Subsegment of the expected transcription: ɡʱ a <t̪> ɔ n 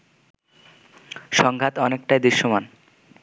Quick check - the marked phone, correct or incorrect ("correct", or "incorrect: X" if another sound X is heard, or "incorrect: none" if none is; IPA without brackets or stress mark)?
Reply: correct